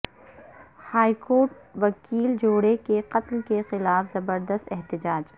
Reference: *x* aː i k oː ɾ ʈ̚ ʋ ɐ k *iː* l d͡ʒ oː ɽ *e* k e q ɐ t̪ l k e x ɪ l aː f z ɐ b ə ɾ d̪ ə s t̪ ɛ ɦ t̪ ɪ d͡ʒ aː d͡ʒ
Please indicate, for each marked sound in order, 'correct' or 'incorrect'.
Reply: incorrect: h, correct, correct

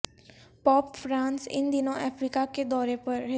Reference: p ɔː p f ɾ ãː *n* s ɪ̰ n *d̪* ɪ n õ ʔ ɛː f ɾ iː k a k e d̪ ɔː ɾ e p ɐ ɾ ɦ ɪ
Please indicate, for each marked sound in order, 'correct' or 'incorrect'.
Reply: correct, correct

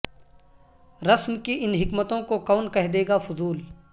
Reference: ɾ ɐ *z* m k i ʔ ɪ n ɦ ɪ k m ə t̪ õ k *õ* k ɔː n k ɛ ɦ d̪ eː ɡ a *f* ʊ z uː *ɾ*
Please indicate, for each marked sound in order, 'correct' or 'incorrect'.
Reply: incorrect: s, incorrect: o, correct, incorrect: l

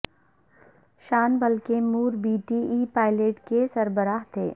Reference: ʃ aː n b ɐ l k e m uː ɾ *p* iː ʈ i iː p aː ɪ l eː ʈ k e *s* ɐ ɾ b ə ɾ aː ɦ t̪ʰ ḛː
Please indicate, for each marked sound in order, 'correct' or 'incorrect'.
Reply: incorrect: b, correct

